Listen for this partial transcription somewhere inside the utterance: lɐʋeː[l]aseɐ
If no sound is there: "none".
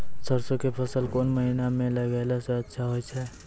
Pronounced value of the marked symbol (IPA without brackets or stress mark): l